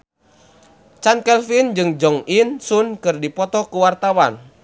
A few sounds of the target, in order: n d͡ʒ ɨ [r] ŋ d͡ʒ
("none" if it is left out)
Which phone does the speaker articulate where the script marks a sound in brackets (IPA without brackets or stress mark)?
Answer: none